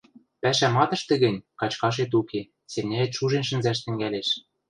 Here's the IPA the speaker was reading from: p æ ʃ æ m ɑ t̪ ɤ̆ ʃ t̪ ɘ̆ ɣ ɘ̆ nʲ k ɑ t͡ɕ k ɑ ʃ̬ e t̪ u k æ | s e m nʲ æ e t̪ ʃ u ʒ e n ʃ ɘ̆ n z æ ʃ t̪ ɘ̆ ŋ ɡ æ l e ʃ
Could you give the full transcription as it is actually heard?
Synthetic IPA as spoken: p æ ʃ æ m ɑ t̪ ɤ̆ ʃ t̪ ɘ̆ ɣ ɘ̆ nʲ k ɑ t͡ɕ k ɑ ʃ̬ e t̪ u k e | s e m nʲ æ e t̪ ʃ u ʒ e n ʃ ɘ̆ n z æ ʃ t̪ ɘ̆ ŋ ɡ æ l e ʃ